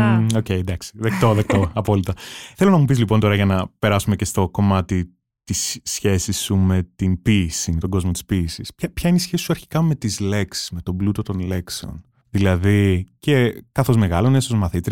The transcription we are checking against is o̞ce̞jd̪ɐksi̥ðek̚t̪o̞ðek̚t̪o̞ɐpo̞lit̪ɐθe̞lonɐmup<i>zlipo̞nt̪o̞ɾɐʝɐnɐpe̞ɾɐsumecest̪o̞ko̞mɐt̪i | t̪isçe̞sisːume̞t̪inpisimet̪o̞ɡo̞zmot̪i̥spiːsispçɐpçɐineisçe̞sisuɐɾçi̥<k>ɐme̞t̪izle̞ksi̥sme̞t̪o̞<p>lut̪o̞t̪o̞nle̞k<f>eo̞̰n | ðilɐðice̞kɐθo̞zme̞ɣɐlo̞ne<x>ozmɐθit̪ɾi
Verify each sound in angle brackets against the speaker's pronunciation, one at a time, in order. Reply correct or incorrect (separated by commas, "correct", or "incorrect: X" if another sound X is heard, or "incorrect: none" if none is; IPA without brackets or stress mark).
correct, correct, incorrect: b, incorrect: s, incorrect: s